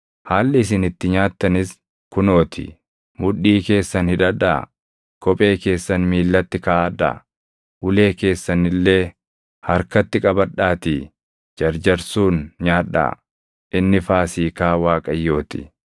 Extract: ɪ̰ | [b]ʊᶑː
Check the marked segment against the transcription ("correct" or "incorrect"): incorrect